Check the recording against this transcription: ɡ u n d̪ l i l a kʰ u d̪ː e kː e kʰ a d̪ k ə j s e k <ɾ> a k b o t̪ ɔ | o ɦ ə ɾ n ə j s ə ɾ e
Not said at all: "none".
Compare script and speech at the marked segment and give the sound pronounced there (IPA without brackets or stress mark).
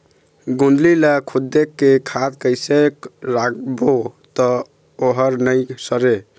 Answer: ɾ